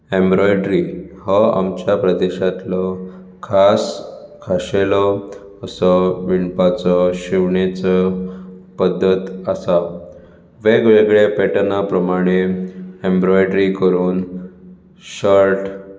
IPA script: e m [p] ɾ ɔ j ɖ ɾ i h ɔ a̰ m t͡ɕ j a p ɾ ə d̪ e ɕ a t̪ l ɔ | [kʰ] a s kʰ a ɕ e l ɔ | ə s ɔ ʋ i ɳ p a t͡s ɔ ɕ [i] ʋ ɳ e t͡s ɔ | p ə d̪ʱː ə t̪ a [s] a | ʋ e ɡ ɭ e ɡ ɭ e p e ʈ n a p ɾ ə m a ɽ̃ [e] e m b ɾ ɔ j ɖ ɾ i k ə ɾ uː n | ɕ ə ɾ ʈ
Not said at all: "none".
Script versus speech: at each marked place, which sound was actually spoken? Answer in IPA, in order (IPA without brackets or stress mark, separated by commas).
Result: b, kʰ, i, s, e